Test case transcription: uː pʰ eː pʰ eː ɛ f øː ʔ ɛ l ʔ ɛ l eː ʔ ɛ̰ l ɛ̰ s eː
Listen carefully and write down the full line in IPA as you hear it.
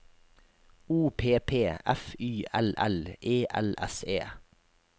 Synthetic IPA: uː pʰ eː pʰ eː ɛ f yː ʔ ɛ l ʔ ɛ l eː ʔ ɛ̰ l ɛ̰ s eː